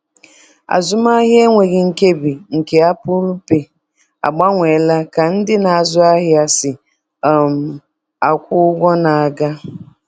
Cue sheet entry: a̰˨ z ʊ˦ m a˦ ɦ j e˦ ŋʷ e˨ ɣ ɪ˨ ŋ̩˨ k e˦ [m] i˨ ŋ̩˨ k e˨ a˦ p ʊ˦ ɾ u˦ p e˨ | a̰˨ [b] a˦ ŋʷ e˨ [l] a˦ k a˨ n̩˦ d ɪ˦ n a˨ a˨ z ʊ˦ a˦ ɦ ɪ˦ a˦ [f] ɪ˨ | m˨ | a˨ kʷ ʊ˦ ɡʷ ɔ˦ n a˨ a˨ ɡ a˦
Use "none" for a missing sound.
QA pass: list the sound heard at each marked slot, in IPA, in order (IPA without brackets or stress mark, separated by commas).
b, ɡ͡b, l, s